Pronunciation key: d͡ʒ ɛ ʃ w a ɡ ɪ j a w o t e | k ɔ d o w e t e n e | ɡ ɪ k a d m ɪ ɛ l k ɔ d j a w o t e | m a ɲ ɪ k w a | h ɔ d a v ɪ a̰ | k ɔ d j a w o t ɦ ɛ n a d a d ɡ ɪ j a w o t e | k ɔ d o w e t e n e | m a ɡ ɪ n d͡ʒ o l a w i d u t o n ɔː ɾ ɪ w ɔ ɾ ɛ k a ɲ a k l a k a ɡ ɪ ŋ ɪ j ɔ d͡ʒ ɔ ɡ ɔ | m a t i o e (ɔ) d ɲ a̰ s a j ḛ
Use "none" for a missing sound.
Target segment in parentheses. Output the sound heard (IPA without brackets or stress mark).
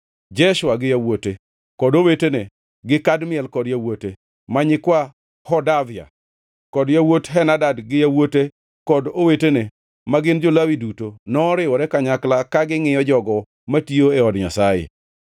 ɔ